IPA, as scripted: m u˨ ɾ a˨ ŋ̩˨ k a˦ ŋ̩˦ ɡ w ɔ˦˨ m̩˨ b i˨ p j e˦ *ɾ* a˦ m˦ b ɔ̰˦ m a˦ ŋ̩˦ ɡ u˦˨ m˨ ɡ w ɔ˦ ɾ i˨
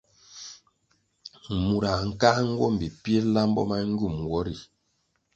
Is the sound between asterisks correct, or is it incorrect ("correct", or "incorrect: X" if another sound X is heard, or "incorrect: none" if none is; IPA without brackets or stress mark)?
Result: incorrect: l